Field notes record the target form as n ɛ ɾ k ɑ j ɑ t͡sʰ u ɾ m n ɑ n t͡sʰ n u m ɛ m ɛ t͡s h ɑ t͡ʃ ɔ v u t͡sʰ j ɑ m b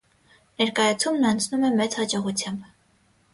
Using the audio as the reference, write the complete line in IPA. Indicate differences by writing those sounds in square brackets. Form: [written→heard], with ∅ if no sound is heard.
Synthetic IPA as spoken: n ɛ ɾ k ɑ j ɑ t͡sʰ u [ɾ→∅] m n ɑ n t͡sʰ n u m ɛ m ɛ t͡s h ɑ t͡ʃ ɔ [v→ʁ] u t͡sʰ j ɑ m b